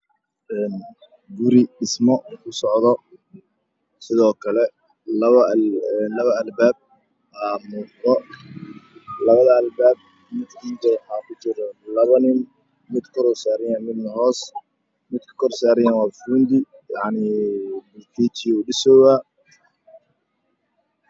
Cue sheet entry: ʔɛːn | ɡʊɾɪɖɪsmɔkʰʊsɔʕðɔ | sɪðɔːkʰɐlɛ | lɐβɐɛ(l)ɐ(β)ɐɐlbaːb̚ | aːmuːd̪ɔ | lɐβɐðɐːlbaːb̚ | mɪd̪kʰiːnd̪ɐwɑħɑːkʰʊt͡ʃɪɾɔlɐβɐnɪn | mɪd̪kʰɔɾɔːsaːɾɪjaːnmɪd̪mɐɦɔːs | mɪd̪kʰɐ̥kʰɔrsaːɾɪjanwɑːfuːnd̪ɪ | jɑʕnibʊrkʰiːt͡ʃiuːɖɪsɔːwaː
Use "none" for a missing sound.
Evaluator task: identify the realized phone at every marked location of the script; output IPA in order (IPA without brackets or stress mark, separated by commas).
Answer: l, β